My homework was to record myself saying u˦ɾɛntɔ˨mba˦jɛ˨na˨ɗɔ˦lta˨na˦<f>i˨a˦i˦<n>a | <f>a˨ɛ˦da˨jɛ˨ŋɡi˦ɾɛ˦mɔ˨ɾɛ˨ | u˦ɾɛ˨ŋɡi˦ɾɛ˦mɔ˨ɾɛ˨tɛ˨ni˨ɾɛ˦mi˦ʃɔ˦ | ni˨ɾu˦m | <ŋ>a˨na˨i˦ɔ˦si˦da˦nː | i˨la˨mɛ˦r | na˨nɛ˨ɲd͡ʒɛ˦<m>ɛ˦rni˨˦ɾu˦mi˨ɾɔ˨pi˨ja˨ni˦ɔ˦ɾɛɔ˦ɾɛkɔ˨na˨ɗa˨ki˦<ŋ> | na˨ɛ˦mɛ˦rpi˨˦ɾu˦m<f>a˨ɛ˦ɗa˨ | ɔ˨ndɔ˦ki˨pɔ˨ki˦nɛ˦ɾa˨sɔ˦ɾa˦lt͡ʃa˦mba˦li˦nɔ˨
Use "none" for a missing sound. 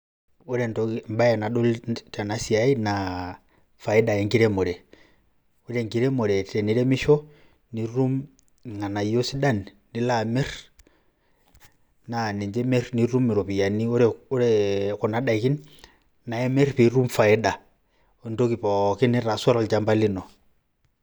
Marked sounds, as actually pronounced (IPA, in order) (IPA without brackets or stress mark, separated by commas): s, n, f, ŋ, m, n, f